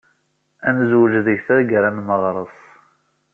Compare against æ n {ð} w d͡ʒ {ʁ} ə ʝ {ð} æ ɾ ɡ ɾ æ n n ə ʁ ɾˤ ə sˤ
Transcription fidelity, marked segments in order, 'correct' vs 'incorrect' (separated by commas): incorrect, incorrect, incorrect